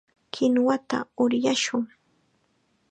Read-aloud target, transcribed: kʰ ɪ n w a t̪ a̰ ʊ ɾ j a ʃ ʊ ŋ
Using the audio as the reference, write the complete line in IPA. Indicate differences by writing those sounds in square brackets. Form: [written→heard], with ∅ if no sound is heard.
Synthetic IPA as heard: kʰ ɪ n w a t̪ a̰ ʊ ɾ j a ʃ ʊ ŋ